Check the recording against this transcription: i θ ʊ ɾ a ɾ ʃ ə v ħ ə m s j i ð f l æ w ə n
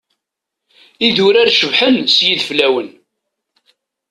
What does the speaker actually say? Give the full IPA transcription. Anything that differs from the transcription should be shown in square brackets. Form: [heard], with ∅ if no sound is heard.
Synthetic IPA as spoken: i [ð] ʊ ɾ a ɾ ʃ ə v ħ ə [n] s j i ð f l æ w ə n